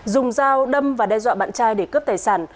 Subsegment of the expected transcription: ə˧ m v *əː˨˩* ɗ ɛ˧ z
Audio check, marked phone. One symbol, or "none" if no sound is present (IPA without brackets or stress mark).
aː˨˩